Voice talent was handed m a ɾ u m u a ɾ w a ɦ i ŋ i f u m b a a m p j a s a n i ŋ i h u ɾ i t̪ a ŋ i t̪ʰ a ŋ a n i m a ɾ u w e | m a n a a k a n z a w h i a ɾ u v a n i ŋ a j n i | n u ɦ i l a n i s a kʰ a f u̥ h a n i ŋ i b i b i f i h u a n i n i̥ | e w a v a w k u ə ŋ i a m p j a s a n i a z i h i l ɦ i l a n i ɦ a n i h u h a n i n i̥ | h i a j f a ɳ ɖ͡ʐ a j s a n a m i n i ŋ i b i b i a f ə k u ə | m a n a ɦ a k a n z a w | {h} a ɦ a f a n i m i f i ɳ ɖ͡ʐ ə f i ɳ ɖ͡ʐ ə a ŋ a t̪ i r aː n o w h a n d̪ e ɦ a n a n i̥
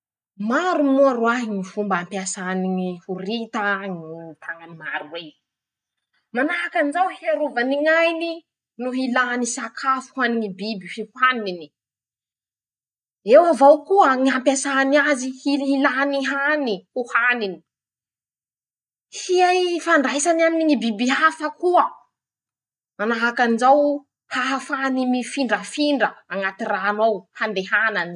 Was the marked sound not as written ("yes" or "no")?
no